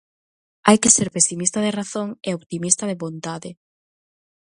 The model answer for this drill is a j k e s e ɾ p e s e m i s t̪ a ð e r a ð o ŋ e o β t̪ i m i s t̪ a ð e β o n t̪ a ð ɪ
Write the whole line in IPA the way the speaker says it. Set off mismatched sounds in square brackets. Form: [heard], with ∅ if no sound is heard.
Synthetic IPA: a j k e s e ɾ p e s [i] m i s t̪ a ð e r a [θ] o ŋ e o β t̪ i m i s t̪ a ð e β o n t̪ a ð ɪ